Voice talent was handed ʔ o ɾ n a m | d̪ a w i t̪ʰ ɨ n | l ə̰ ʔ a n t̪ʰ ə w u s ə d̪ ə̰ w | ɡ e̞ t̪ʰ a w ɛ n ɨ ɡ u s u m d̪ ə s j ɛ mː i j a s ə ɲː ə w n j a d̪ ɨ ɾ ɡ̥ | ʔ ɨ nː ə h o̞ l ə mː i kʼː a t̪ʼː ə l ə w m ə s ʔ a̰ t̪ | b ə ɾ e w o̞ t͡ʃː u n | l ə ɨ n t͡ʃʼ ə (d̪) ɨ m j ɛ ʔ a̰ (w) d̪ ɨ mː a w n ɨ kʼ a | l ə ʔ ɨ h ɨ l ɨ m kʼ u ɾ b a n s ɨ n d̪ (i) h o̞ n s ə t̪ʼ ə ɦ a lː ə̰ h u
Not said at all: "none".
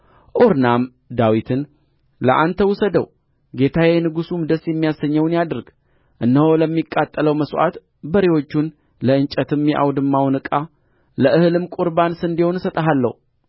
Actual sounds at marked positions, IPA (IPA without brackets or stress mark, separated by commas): t̪, w, i